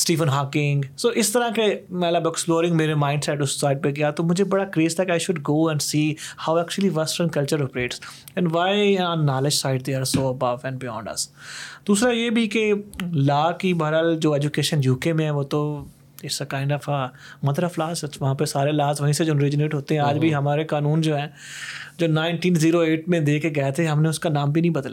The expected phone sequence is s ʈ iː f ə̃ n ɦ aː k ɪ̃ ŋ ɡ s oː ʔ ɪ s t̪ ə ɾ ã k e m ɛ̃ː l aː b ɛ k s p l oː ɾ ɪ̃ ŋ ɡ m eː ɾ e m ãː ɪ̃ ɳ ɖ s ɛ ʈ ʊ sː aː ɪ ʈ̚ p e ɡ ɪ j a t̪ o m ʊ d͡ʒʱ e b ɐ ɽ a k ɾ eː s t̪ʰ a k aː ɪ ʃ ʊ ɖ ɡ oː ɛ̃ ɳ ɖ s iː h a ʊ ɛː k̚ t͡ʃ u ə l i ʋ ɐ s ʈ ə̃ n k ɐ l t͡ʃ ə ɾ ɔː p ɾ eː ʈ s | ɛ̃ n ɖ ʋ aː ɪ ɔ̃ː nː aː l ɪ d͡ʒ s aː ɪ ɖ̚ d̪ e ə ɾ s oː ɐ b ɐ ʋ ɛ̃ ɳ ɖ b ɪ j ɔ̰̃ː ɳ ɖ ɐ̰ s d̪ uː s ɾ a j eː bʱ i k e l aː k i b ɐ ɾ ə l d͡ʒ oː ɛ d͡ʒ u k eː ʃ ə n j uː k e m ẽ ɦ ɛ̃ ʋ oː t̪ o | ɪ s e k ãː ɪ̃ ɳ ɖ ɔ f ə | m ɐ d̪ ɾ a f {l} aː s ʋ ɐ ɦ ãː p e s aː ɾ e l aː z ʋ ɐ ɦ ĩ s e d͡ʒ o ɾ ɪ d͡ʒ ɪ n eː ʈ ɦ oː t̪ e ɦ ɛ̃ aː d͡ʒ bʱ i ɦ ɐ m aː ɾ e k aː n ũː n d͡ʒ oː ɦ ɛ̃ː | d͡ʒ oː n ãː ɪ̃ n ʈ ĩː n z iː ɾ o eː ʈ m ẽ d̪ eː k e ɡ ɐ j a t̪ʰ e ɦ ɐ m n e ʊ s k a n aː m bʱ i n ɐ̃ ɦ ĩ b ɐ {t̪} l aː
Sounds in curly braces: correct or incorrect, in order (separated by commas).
correct, incorrect